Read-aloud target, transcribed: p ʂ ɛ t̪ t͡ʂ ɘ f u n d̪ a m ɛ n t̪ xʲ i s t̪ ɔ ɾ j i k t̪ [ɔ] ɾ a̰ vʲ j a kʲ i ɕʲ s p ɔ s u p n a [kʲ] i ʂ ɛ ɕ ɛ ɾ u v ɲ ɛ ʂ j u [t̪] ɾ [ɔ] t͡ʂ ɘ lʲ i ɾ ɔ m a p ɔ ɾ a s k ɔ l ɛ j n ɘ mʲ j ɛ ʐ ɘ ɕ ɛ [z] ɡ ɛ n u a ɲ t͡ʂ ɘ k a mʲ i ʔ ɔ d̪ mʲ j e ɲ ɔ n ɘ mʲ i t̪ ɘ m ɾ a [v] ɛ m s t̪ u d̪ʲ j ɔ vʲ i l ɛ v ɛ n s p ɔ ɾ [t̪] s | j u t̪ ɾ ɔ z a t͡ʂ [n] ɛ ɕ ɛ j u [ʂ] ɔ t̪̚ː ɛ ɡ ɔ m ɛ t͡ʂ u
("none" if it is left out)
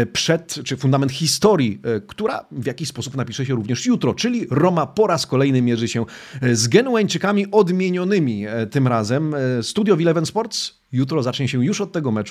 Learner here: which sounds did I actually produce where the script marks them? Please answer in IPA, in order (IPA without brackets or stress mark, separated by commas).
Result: u, pʲ, t̪, ɔ, z, z, t̪, ɲ, ʂ